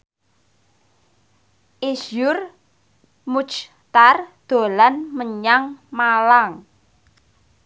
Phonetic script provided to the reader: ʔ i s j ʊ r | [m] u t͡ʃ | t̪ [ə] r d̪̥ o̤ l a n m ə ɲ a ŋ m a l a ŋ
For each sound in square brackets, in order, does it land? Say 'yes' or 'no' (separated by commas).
yes, no